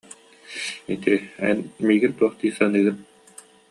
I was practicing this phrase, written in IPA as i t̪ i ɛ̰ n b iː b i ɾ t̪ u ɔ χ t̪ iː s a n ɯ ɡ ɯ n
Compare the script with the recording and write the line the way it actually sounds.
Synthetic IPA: i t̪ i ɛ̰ n m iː ɡ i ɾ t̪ u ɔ χ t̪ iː s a n ɯː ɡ ɯ n